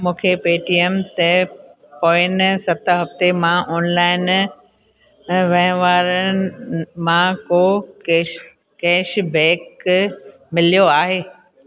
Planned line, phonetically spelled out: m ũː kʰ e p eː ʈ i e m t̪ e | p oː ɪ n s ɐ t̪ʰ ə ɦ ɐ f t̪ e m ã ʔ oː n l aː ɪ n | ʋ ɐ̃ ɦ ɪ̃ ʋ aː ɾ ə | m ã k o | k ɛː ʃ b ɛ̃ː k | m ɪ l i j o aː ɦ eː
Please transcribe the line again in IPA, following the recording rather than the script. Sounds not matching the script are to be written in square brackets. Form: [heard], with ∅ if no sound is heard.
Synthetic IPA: m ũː kʰ e p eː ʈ i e m t̪ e | p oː ɪ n s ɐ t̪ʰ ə ɦ ɐ f t̪ e m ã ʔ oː n l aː ɪ n | ʋ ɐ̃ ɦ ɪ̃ ʋ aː ɾ ə | m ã k o | k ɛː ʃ b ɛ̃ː k | m ɪ l i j o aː ɦ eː